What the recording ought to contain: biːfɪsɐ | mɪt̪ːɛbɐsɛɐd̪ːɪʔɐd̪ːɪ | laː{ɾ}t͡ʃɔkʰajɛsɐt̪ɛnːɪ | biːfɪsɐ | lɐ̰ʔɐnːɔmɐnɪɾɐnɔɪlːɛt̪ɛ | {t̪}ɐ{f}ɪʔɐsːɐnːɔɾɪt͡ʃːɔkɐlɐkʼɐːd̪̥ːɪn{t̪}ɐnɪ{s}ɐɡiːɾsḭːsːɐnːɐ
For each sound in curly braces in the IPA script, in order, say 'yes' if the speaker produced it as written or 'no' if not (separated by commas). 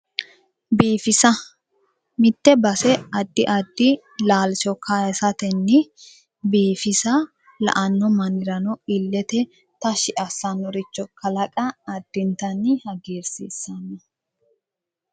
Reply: no, yes, no, yes, no